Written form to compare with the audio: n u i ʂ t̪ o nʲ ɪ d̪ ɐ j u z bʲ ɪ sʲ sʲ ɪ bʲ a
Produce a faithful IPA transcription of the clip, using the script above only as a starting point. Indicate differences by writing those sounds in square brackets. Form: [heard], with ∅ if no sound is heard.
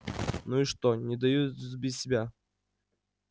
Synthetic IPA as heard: n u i ʂ t̪ o nʲ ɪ d̪ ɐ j u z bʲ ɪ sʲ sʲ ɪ bʲ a